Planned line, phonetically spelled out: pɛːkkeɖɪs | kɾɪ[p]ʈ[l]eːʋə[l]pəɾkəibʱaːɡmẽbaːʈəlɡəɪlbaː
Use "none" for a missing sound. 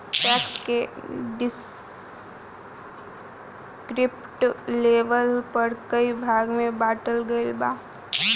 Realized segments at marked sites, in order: p, l, l

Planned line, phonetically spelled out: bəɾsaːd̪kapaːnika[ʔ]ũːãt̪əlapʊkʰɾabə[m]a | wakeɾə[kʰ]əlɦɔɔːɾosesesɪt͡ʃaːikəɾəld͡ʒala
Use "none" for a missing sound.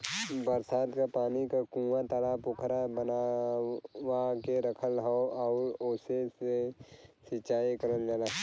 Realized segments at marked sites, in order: k, n, kʰ

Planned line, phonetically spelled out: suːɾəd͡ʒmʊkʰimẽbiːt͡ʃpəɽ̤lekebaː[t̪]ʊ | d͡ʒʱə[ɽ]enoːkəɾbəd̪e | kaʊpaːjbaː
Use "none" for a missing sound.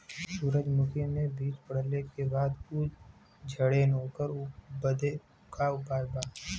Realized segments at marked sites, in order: d̪, ɽ

